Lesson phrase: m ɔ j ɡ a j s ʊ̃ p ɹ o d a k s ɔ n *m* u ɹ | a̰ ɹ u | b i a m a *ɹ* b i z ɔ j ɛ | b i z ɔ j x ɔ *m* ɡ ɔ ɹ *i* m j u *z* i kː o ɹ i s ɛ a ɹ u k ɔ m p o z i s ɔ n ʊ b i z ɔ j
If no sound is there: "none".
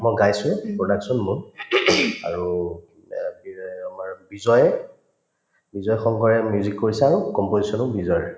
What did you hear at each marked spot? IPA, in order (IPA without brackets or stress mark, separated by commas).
m, ɹ, ŋ, ɛ, z